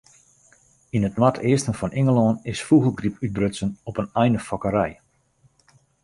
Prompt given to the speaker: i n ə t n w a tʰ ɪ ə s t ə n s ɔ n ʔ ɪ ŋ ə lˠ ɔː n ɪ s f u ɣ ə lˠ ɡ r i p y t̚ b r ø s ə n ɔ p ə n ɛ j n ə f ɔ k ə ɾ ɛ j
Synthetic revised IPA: i n ə t n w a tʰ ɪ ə s t ə n f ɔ n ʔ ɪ ŋ ə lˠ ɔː n ɪ s f u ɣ ə lˠ ɡ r i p y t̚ b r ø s ə n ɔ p ə n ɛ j n ə f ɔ k ə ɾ ɛ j